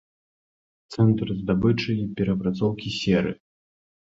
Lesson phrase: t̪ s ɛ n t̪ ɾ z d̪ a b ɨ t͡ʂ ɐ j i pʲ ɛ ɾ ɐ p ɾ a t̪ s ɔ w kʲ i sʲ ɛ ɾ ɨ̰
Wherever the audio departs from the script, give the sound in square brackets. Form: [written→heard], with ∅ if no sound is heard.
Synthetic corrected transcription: t̪ s ɛ n t̪ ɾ z d̪ a b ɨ t͡ʂ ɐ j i pʲ ɛ ɾ ɐ p ɾ a t̪ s ɔ w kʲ i sʲ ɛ ɾ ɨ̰